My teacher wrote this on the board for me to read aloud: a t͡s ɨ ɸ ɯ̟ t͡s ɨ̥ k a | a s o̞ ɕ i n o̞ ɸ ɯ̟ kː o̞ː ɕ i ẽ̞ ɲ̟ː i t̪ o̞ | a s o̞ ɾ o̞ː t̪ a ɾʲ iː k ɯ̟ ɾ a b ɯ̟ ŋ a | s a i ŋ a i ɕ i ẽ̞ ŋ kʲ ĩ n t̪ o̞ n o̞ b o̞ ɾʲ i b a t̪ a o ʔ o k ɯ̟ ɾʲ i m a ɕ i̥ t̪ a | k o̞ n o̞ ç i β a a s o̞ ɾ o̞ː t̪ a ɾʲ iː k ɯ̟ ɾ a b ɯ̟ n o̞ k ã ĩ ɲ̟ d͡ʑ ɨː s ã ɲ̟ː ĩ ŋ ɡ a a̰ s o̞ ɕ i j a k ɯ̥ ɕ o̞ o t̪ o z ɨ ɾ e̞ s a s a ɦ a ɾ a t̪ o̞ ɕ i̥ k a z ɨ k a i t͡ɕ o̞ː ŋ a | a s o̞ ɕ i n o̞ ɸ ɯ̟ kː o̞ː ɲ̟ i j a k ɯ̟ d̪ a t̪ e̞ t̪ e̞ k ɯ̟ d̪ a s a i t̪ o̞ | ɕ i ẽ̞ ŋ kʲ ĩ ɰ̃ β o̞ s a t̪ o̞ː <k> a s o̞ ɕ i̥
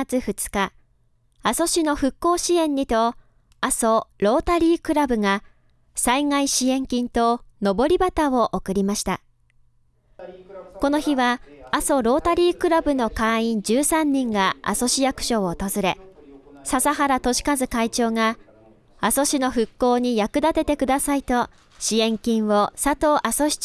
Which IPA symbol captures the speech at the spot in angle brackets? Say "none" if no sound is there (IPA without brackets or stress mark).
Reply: ʔ